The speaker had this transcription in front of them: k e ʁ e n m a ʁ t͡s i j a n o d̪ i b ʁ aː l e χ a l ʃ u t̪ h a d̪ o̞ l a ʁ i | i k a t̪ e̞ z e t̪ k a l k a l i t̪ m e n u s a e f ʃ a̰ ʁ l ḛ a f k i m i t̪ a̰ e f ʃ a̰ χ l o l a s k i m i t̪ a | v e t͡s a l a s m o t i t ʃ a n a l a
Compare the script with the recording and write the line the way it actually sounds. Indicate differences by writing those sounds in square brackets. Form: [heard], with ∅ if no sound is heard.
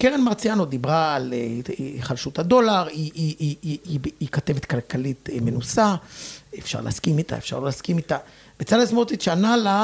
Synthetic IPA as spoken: k e ʁ e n m a ʁ t͡s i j a n o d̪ i b ʁ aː l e χ a l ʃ u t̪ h a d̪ o̞ l a ʁ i | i k a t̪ e̞ [v] e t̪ k a l k a l i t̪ m e n u s a e f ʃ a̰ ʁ l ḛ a [s] k i m i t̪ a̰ e f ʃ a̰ [ʁ] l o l a s k i m i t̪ a | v e t͡s a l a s m o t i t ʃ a n a l a